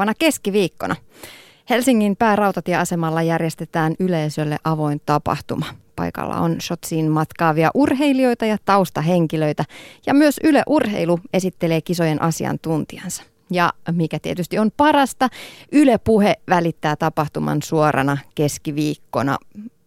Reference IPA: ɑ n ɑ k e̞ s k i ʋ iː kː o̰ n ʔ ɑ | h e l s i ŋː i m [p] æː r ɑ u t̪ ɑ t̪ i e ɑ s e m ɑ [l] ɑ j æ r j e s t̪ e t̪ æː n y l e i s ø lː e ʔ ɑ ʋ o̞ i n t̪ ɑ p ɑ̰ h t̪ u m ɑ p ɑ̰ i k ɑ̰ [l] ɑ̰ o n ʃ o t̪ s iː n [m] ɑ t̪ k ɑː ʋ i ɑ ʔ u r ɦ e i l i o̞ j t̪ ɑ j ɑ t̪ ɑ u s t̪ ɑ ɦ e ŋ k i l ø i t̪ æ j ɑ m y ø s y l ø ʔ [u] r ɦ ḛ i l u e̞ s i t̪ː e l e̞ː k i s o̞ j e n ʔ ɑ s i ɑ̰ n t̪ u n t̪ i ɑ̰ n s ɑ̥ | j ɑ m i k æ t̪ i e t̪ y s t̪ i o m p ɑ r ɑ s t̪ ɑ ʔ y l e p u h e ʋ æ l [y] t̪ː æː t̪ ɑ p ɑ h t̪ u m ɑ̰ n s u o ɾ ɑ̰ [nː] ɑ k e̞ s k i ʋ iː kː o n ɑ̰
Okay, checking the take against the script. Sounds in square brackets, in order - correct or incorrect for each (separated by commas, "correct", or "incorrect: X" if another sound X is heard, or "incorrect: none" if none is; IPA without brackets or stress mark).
correct, incorrect: lː, incorrect: lː, correct, correct, incorrect: i, incorrect: n